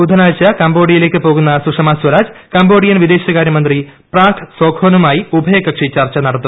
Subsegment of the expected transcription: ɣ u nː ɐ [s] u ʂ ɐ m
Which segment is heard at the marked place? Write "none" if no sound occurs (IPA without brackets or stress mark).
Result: s